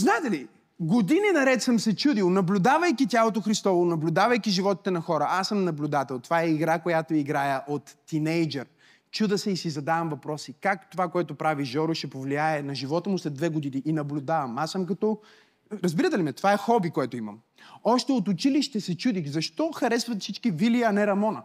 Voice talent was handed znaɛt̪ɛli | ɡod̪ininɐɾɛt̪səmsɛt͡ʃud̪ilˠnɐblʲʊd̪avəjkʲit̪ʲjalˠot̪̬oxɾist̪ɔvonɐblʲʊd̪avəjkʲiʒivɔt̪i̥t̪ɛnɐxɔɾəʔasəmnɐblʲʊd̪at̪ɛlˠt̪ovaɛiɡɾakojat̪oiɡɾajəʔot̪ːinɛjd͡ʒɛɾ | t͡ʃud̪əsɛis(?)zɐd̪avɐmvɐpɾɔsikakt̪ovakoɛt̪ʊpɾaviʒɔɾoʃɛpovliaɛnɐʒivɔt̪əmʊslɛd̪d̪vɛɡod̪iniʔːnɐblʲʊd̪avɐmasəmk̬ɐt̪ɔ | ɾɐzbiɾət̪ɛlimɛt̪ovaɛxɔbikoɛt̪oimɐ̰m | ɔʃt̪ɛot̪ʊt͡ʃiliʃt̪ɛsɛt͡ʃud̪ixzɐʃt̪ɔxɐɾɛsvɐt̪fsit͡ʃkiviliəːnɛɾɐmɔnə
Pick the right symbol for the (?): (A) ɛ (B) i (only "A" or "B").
B